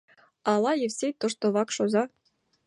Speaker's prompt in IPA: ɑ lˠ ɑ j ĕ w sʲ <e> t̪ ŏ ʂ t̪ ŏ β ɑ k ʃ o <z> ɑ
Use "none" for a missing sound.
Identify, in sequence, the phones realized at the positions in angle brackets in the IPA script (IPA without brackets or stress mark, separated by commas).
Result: e, z